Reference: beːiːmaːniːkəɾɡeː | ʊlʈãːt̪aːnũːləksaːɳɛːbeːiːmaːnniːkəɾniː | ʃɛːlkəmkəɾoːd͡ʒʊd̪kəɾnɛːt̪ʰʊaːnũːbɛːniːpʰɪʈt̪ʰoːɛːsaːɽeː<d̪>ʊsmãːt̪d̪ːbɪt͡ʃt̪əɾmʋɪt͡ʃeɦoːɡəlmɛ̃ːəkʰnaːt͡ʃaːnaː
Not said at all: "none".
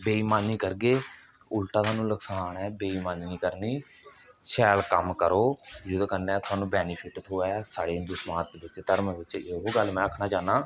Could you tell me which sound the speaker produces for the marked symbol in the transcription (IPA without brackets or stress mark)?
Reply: d̪